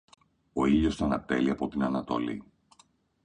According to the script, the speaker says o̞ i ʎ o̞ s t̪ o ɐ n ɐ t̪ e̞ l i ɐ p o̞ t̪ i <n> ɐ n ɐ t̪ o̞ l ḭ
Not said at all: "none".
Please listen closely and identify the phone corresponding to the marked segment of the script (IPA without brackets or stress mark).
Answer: n